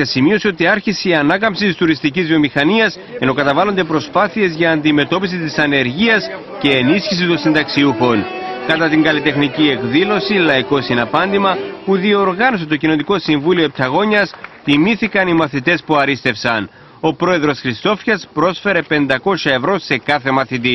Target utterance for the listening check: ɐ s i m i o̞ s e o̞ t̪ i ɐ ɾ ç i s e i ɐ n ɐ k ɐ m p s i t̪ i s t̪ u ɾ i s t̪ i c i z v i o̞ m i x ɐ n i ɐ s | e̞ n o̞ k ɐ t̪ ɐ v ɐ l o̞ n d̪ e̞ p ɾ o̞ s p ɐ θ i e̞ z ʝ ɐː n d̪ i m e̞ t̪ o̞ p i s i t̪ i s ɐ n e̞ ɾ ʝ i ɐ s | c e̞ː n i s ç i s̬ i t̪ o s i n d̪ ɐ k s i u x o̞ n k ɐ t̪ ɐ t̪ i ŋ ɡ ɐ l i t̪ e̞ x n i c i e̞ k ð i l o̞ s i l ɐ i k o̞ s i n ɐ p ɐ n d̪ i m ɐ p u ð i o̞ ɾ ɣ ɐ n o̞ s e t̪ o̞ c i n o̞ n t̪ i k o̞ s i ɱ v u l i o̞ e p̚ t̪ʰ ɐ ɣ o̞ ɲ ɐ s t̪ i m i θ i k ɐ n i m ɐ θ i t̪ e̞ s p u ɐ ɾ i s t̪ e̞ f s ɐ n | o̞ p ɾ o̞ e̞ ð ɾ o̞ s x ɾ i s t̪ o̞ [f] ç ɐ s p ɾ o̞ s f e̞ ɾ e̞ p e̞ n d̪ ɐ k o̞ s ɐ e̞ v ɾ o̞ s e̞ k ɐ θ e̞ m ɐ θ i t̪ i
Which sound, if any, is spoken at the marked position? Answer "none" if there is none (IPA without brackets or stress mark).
f